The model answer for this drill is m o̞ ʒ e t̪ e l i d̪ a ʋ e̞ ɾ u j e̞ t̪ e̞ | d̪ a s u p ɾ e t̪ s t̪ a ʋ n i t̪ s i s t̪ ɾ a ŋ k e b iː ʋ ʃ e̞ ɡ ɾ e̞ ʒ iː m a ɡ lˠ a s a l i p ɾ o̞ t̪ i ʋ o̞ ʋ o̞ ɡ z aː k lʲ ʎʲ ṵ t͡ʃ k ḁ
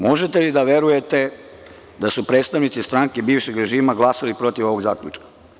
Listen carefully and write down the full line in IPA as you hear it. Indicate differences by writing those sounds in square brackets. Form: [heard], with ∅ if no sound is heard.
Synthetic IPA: m o̞ ʒ e t̪ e l i d̪ a ʋ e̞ ɾ u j e̞ t̪ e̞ | d̪ a s u p ɾ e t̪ s t̪ a ʋ n i t̪ s i s t̪ ɾ a ŋ k e b iː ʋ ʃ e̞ ɡ ɾ e̞ ʒ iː m a ɡ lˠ a s a l i p ɾ o̞ t̪ i ʋ o̞ ʋ o̞ ɡ z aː k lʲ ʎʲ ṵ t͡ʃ k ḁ